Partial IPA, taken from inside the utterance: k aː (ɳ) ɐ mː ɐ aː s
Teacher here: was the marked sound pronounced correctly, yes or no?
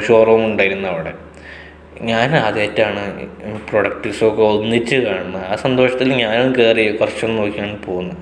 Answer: yes